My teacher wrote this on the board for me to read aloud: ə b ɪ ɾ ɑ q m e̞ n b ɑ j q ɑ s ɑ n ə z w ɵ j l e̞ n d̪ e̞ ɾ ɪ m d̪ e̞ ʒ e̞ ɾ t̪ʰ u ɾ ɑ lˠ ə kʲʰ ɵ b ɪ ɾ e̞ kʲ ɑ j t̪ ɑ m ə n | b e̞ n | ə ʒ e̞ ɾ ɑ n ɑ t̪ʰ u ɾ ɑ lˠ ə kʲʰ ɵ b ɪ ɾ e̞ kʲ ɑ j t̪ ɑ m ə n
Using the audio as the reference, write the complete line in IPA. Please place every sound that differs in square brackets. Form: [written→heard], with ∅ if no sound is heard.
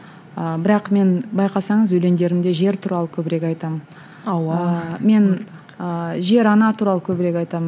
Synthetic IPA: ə b ɪ ɾ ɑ q m e̞ n b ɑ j q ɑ s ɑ [n→ɴ] ə z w ɵ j l e̞ n d̪ e̞ ɾ ɪ m d̪ e̞ ʒ e̞ ɾ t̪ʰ u ɾ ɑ lˠ ə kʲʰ ɵ b ɪ ɾ e̞ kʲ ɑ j t̪ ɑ m ə n | [b→m] e̞ n | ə ʒ e̞ ɾ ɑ n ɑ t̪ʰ u ɾ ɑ lˠ ə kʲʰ ɵ b ɪ ɾ e̞ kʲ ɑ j t̪ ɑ m ə n